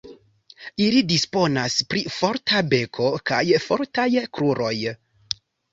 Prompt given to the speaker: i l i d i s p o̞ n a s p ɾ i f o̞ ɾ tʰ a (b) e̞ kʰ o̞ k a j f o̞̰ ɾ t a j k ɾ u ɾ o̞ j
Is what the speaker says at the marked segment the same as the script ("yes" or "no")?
yes